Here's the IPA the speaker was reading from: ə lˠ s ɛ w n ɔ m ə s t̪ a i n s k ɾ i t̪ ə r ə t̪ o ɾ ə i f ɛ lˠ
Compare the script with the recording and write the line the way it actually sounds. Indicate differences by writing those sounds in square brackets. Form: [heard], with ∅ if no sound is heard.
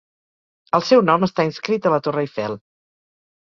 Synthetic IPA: ə lˠ s ɛ w n ɔ m ə s t̪ a i n s k ɾ i t̪ ə [l] ə t̪ o [r] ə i f ɛ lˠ